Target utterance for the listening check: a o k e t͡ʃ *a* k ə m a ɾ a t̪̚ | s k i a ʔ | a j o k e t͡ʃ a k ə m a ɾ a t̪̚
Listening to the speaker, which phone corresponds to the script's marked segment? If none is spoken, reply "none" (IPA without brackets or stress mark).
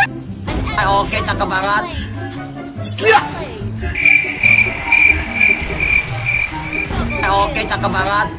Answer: a